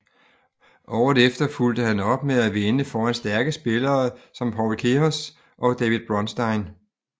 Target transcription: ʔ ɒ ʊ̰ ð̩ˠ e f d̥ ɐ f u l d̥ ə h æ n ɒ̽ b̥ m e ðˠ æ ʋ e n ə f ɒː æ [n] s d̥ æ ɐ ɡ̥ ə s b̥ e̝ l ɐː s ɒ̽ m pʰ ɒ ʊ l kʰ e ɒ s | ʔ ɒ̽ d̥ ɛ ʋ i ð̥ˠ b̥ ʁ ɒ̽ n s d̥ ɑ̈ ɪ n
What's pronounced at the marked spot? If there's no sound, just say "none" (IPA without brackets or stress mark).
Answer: n